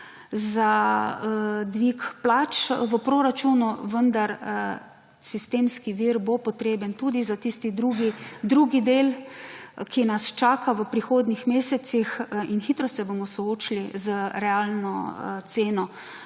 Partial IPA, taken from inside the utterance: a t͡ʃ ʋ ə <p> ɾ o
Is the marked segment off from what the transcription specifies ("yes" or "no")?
no